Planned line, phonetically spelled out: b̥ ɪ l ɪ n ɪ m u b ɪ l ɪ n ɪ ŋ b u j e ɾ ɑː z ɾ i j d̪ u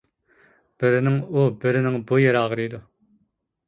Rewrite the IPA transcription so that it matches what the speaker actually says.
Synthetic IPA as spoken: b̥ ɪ ɾ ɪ n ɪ ŋ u b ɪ ɾ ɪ n ɪ ŋ b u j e ɾ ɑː ʁ ɾ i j d̪ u